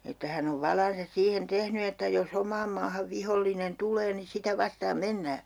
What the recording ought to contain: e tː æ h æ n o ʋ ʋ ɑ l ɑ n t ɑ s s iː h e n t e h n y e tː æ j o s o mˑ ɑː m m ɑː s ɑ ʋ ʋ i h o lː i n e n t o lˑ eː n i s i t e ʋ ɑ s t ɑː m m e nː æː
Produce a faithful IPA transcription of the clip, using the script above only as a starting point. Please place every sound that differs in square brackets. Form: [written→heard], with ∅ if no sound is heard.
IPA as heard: e tː æ h æ n o ʋ ʋ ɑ l ɑ n [t→s] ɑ s s iː h e n t e h n y e tː æ j o s o mˑ ɑː m m ɑː [s→h] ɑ ʋ ʋ i h o lː i n e n t [o→u] lˑ eː n i s i t [e→æ] ʋ ɑ s t ɑː m m e nː æː

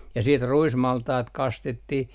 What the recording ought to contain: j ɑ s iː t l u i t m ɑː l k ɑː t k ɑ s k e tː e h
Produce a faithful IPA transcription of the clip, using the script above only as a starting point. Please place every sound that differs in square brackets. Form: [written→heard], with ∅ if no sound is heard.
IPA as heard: j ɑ s iː t [l→r] u i [t→s] m [ɑː→ɑ] l [k→t] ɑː t k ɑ s [k→t] e tː [e→i] h

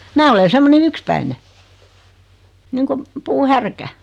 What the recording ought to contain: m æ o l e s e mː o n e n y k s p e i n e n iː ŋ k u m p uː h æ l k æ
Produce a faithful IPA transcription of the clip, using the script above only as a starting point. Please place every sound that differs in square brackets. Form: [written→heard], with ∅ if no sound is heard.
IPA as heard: m [æ→æː] o l e s e mː o n e n y k s p [e→æ] i n e n iː ŋ k u m p uː h æ [l→r] k æ

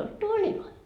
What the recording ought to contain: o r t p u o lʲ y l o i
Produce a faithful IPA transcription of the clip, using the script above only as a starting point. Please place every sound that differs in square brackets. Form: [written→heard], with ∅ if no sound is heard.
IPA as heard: o [r→l] t [p→t] u o lʲ [y→i] l o i

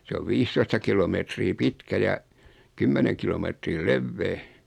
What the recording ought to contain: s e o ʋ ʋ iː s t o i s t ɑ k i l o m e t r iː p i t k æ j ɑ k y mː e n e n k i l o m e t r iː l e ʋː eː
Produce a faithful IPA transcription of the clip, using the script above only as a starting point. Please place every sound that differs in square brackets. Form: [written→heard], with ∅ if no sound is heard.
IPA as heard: s e o ʋ ʋ iː s t o i s t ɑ k i l o m e t r iː p i t k æ j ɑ k y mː e n e [n→ŋ] k i l o m e t r iː l e ʋː eː

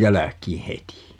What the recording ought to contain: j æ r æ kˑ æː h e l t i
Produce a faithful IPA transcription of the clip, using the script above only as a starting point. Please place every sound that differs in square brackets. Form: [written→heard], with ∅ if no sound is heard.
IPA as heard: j æ [r→l] æ kˑ [æː→iː] h e [l→∅] t i

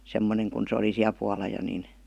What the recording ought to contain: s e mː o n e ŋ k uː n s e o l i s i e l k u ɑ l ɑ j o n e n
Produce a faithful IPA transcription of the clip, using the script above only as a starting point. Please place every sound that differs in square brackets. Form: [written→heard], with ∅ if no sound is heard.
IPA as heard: s e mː o n e ŋ k [uː→u] n s e o l i s i [e→æ] l [k→p] u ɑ l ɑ j o n [e→i] n

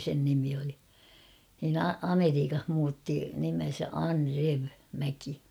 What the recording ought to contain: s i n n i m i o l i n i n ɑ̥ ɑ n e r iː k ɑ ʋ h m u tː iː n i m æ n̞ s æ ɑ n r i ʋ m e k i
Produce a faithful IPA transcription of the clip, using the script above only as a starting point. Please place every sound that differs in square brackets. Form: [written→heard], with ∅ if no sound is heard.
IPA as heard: s [i→e] n n i m i o l i n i n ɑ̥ ɑ [n→m] e r iː k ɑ [ʋ→∅] h m [u→uː] tː [iː→i] n i m [æ→e] n̞ s æ ɑ n r [i→e] ʋ m [e→æ] k i

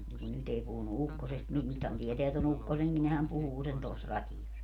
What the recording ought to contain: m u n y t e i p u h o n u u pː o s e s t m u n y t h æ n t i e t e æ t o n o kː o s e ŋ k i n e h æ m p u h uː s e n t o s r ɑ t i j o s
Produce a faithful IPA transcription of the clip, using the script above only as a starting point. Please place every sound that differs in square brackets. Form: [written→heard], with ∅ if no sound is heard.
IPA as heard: m u n y t e i p u h [o→u] n u u [pː→kː] o s e s t m u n y t h æ n t i e t e æ t o n [o→u] kː o s e ŋ k i n e h æ m p u h uː s e n t o s r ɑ t i j o s

